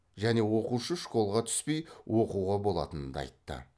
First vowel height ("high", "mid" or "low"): low